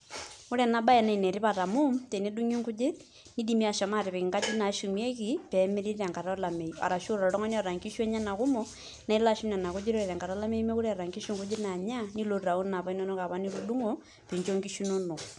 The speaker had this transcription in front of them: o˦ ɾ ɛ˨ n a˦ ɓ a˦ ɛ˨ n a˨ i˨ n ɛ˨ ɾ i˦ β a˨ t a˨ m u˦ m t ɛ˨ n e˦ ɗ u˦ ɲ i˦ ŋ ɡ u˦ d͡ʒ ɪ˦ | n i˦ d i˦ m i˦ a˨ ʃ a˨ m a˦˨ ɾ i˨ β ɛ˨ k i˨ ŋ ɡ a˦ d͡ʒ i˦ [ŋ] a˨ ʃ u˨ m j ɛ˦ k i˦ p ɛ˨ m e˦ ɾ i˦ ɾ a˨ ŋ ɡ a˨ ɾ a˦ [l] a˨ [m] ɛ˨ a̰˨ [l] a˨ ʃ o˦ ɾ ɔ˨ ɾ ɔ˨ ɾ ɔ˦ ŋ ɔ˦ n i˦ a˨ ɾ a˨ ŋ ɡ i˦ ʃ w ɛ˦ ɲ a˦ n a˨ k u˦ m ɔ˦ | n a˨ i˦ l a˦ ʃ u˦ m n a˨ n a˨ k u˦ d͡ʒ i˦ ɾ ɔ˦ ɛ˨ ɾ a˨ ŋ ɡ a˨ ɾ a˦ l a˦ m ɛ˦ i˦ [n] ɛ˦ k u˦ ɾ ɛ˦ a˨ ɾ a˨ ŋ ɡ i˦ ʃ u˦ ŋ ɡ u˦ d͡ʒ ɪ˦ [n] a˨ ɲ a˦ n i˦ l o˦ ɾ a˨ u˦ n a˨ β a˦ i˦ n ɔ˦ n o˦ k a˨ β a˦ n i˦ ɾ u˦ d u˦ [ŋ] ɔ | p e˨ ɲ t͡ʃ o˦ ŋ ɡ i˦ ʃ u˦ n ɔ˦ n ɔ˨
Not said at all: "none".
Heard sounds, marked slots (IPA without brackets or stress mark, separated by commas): n, l, m, ɾ, m, n, ŋ